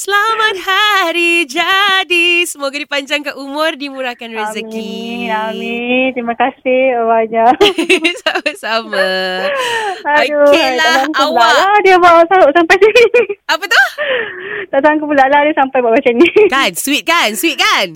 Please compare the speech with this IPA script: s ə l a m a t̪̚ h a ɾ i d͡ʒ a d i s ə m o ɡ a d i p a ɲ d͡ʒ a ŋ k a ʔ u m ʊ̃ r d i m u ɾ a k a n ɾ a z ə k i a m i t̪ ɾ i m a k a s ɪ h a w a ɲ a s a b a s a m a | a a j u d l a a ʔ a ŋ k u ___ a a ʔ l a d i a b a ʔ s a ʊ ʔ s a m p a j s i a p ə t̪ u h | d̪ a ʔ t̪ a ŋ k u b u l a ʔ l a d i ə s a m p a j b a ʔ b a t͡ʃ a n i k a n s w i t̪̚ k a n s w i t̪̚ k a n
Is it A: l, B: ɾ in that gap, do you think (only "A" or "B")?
A